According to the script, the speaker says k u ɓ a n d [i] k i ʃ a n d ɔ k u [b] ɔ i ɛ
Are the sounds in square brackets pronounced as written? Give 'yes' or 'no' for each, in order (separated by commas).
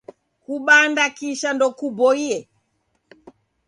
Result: no, yes